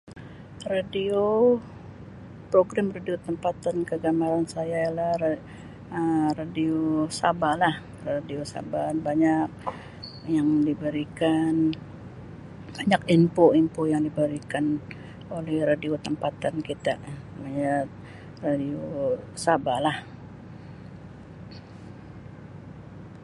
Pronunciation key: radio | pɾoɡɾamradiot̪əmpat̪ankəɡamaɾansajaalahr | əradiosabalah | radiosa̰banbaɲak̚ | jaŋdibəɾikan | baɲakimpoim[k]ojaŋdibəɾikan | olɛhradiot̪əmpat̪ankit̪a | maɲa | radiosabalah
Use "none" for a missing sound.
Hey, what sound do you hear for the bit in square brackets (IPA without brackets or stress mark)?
p